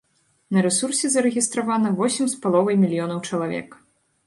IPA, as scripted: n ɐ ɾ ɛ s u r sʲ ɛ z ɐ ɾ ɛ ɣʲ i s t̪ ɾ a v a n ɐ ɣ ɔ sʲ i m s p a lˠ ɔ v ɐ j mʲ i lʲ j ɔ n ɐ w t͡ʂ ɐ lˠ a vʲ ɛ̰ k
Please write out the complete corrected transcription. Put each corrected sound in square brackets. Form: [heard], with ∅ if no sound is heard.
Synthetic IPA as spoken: n ɐ ɾ ɛ s u r sʲ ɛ z ɐ ɾ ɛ ɣʲ i s t̪ ɾ a v a n ɐ [v] ɔ sʲ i m s p a lˠ ɔ v ɐ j mʲ i lʲ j ɔ n ɐ w t͡ʂ ɐ lˠ a vʲ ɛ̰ k